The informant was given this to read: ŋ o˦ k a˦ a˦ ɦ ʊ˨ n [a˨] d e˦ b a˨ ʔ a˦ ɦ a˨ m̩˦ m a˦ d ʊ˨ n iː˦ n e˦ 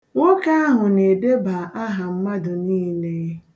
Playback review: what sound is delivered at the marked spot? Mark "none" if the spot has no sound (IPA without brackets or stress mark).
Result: e˨